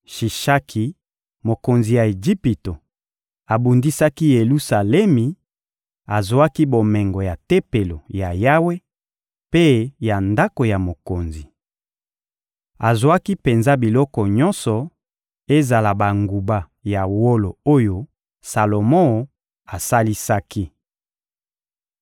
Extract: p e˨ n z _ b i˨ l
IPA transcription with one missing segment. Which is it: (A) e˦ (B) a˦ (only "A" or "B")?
B